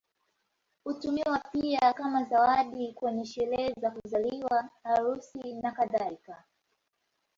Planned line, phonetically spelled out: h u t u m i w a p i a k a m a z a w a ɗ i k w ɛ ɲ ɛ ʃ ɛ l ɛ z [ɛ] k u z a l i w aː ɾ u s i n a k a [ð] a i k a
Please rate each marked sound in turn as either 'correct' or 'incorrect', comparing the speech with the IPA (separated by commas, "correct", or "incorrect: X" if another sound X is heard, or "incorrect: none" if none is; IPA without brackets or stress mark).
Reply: incorrect: a, correct